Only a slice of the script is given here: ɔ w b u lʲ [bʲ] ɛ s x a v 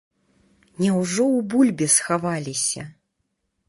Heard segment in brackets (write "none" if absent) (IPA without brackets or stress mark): bʲ